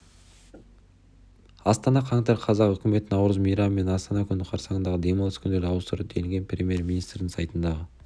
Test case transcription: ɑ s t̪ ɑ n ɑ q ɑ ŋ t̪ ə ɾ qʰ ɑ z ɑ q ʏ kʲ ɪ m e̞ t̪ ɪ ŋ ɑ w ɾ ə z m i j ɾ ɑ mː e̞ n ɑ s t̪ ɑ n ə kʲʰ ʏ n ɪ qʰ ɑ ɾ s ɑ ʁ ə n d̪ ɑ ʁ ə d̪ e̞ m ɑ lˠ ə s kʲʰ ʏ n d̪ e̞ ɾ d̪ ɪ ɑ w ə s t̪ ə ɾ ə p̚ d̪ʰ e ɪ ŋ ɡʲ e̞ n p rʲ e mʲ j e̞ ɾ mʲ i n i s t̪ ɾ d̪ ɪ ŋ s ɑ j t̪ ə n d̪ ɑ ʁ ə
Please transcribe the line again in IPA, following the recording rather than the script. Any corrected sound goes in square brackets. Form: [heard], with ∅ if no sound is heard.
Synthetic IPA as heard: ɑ s t̪ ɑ n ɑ [qʰ] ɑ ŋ t̪ [ɑ] ɾ qʰ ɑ z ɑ q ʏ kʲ ɪ m e̞ t̪ ɪ [n] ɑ w ɾ ə z m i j ɾ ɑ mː e̞ n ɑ s t̪ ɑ n [ɑ] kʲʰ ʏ n ɪ qʰ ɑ ɾ s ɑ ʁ ə n d̪ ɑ ʁ ə d̪ e̞ m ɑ lˠ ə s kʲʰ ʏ n d̪ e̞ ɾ d̪ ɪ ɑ w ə s t̪ ə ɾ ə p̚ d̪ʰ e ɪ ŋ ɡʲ e̞ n p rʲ e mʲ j e̞ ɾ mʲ i n i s t̪ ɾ d̪ ɪ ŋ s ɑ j t̪ ə n d̪ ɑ ʁ ə

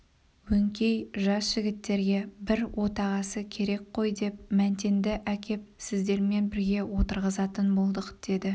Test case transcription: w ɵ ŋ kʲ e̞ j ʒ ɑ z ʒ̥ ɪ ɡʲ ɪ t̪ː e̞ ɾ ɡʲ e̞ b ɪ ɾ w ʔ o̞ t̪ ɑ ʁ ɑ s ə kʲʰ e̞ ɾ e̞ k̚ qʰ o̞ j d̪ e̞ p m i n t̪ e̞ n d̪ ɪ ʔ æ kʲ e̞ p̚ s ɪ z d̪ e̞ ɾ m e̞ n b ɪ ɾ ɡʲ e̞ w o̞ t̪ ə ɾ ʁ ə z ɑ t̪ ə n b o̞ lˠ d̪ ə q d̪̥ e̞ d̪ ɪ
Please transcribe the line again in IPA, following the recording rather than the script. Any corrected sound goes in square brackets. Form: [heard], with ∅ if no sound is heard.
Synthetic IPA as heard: w ɵ ŋ kʲ e̞ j ʒ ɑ [s] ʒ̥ ɪ ɡʲ ɪ t̪ː e̞ ɾ ɡʲ e̞ b ɪ ɾ w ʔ o̞ t̪ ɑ ʁ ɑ s ə kʲʰ e̞ ɾ e̞ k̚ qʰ o̞ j d̪ e̞ p m [æ] n t̪ e̞ n d̪ ɪ ʔ æ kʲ e̞ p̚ s ɪ z d̪ e̞ ɾ m e̞ n b ɪ ɾ ɡʲ e̞ w o̞ t̪ ə ɾ ʁ ə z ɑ t̪ ə n b o̞ lˠ d̪ ə q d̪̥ e̞ d̪ ɪ

